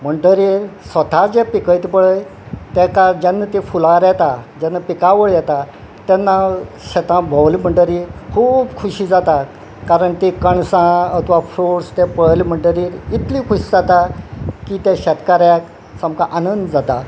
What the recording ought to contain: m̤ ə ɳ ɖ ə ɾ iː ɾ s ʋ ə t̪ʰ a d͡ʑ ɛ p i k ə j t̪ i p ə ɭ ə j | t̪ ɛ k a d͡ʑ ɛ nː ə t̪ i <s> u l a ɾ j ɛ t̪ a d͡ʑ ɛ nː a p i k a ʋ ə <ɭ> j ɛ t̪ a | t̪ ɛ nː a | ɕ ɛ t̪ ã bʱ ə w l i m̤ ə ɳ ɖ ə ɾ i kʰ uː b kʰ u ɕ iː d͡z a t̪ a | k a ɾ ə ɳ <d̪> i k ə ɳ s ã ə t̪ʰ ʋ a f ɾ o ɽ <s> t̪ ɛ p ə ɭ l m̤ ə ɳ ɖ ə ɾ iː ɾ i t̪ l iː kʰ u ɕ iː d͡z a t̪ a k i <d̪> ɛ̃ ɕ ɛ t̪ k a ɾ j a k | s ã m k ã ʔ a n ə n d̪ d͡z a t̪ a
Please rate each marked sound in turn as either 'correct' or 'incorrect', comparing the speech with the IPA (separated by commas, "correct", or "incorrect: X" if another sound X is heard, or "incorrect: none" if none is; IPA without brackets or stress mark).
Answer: incorrect: f, correct, incorrect: t̪, correct, incorrect: t̪